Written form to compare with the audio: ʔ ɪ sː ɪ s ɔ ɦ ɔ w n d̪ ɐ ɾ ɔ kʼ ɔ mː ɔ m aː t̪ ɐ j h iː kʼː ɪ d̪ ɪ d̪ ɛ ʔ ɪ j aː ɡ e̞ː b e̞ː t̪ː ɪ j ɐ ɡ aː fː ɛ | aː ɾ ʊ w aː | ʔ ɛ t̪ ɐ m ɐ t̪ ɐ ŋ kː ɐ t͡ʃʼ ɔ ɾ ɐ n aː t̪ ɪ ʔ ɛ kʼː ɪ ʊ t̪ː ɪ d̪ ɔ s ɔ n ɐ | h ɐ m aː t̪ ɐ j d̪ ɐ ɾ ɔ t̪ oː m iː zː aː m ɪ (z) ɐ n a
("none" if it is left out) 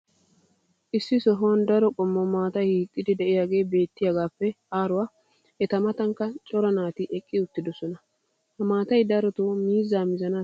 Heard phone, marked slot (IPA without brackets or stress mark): z